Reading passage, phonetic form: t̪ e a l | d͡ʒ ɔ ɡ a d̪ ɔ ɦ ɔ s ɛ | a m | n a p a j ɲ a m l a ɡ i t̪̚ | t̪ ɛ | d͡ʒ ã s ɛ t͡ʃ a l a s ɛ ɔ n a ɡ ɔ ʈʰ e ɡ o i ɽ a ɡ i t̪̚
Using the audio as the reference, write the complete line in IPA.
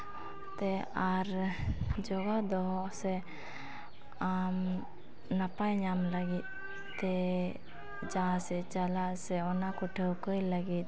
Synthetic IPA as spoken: t̪ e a ɾ | d͡ʒ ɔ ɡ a d̪ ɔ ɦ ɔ s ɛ | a m | n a p a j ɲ a m l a ɡ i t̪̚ | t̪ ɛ | d͡ʒ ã s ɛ t͡ʃ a l a s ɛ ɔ n a k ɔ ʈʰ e k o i l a ɡ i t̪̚